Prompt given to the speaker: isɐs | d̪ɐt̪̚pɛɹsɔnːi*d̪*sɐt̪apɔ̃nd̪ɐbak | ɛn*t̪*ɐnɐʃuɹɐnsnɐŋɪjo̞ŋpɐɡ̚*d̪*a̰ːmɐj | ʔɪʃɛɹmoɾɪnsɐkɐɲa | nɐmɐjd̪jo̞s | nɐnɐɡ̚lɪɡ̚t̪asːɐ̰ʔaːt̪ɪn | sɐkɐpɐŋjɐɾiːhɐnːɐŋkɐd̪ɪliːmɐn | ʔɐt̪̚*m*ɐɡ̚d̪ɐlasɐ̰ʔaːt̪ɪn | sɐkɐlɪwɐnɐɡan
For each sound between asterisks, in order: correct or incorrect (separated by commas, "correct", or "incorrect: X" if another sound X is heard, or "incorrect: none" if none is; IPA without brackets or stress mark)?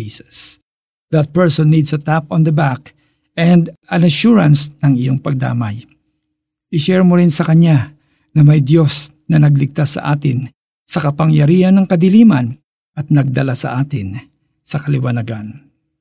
correct, incorrect: d̪, correct, incorrect: n